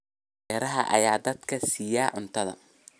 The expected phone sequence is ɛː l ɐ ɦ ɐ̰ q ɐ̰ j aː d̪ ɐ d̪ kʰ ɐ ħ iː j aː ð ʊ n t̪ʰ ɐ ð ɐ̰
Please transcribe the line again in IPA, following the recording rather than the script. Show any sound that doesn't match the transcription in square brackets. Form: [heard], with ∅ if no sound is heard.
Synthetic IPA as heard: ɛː [ɾ] ɐ ɦ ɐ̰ [ʔ] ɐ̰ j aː d̪ ɐ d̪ kʰ ɐ [s] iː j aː [ʕ] ʊ n t̪ʰ ɐ ð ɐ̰